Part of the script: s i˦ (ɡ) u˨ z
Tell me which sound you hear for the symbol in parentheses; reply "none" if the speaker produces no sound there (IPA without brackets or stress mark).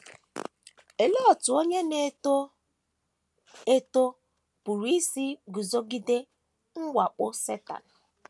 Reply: ɡ